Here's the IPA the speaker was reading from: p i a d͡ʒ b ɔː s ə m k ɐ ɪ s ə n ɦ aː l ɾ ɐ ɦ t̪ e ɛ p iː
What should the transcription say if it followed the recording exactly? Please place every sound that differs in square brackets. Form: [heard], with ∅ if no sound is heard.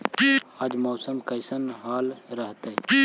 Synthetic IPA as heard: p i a d͡ʒ [m] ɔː s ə m k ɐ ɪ s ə n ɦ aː l ɾ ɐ ɦ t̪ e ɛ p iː